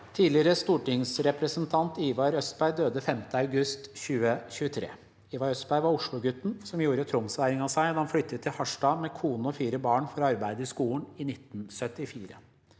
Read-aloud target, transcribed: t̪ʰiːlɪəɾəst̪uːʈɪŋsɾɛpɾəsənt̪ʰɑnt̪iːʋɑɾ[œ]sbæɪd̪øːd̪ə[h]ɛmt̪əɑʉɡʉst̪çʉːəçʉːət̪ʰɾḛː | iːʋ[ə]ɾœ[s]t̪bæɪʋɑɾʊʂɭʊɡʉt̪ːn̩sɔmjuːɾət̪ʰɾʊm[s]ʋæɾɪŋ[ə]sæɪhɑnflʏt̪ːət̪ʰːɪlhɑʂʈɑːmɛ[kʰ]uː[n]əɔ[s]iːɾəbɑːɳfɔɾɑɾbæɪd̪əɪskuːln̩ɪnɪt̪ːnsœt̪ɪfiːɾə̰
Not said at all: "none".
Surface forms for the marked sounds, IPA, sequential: œ, f, ɑ, s, s, ɑ, kʰ, n, f

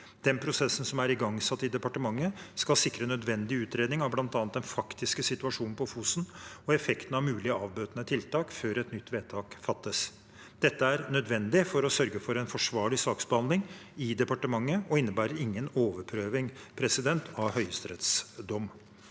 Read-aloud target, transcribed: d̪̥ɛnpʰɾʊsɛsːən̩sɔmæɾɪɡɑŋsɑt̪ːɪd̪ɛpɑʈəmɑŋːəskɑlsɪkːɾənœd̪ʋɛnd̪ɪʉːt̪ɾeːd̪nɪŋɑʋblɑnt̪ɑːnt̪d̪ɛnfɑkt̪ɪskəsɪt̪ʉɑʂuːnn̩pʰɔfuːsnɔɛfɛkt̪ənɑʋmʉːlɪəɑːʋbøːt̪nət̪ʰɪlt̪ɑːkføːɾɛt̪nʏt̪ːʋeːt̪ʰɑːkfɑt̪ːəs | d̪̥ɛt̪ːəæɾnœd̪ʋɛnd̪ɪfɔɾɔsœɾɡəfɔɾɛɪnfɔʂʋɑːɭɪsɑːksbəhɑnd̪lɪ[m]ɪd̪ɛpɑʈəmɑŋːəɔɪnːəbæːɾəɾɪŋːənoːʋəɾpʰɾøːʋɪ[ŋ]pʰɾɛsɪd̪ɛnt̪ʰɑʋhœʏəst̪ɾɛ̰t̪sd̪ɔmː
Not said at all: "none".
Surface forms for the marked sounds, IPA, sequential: ŋ, ŋ

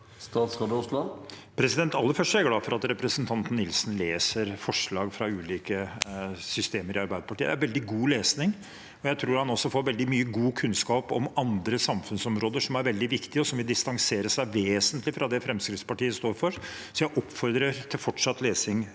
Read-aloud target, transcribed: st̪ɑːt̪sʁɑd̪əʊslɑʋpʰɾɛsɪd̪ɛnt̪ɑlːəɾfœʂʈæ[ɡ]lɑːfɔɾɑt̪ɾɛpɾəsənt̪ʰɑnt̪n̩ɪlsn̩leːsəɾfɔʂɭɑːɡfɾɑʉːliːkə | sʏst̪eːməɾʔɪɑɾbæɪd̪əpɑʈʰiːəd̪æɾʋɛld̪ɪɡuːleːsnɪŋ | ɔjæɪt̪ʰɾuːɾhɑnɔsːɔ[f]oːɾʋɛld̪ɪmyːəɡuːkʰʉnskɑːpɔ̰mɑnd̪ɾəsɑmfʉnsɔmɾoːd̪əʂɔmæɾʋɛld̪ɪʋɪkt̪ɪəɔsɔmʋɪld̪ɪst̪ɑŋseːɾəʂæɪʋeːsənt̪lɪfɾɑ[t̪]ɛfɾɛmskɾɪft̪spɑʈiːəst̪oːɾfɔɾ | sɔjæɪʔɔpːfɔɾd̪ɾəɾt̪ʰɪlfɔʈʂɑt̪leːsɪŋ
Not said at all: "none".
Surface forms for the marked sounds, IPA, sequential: ɡ, f, d̪

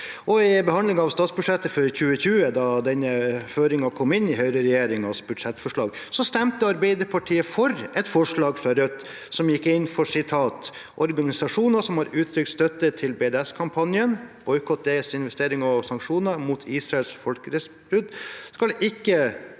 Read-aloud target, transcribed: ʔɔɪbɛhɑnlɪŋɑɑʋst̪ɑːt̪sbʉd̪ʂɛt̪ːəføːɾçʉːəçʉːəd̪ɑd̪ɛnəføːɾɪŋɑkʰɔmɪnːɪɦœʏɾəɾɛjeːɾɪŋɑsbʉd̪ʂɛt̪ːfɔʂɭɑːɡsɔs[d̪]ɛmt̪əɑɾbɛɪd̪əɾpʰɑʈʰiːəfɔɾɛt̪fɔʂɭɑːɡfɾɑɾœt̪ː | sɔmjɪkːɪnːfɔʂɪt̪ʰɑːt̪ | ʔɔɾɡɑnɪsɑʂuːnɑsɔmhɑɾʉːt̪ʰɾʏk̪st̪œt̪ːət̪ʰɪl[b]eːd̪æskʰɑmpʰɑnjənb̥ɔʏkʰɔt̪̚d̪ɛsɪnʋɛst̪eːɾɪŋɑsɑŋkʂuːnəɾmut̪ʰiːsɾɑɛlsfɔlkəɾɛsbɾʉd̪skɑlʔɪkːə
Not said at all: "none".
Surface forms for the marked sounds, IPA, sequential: t̪, b

